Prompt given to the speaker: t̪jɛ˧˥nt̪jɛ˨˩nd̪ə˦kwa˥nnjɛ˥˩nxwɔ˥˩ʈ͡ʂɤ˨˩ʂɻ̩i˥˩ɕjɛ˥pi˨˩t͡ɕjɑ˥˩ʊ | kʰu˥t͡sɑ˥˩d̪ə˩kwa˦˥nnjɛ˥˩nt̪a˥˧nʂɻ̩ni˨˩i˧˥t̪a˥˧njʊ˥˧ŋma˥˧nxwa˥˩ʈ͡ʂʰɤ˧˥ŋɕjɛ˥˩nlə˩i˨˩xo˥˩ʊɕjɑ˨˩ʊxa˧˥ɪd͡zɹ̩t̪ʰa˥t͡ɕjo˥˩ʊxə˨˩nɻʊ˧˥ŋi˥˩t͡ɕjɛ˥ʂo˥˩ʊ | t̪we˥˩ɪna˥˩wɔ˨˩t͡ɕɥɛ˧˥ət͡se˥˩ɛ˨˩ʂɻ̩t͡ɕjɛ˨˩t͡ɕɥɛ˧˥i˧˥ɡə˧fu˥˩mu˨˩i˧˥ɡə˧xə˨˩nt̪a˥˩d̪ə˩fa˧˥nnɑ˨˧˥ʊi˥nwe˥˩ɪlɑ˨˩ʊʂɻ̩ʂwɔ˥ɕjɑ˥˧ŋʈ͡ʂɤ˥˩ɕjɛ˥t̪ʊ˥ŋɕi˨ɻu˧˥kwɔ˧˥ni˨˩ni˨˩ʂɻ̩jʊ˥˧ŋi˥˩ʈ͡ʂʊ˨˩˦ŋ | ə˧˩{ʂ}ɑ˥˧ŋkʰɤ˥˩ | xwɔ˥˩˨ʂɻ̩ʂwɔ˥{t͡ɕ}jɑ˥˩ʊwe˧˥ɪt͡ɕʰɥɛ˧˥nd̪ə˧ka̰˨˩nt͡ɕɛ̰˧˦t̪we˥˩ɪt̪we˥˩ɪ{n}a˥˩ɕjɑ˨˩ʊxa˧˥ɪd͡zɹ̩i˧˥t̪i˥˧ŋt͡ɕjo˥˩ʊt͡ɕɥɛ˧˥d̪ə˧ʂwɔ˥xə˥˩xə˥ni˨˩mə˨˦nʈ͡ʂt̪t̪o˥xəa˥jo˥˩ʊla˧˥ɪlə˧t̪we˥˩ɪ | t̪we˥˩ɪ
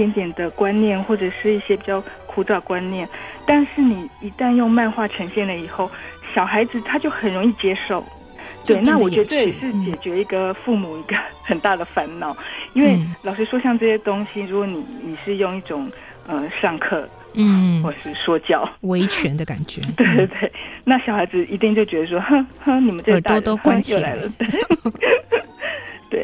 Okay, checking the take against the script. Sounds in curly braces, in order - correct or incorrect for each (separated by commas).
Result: correct, correct, correct